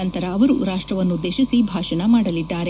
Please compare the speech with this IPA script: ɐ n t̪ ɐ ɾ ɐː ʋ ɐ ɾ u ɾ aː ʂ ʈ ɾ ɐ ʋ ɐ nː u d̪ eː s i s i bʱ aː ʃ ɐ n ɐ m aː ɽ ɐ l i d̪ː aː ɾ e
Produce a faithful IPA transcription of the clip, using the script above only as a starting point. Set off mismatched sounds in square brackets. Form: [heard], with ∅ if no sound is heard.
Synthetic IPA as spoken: ɐ n t̪ ɐ ɾ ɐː ʋ ɐ ɾ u ɾ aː ʂ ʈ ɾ ɐ ʋ ɐ nː u d̪ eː [ʃ] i s i bʱ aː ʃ ɐ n ɐ m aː ɽ ɐ l i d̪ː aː ɾ e